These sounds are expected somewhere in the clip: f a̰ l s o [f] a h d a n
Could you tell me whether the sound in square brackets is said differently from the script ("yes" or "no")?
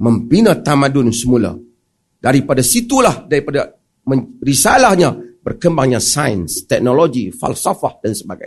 no